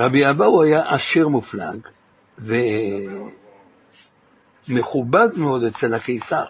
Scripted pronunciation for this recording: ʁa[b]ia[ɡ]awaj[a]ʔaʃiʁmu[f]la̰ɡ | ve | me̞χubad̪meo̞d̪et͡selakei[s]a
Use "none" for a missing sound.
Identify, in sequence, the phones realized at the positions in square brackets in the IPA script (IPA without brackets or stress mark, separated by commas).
b, b, a, f, s